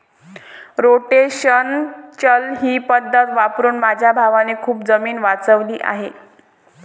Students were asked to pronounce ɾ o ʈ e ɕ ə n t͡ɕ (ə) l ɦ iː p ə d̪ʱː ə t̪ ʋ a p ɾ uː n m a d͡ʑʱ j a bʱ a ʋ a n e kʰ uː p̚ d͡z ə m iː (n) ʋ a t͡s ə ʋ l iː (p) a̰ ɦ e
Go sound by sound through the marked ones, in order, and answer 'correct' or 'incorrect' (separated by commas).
correct, correct, incorrect